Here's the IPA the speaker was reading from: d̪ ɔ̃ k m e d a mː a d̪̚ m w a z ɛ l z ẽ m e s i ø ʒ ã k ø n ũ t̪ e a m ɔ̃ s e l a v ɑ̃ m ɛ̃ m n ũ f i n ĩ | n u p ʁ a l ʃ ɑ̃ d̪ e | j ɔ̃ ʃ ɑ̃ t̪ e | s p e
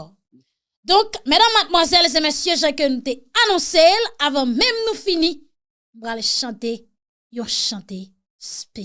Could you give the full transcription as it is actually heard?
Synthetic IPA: d̪ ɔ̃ k m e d a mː a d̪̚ m w a z ɛ l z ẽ m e s j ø ʒ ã k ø n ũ t̪ e a n ɔ̃ s e l a v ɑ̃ m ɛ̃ m n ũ f i n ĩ | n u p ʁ a l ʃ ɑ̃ t̪ e | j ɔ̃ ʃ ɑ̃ t̪ e | s p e